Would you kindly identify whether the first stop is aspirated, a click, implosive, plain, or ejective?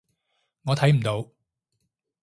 aspirated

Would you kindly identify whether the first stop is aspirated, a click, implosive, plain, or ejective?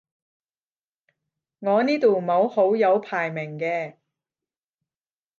plain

